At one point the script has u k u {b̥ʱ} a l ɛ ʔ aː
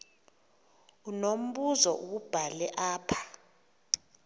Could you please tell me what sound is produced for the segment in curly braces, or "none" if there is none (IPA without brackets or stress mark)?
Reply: b̥ʱ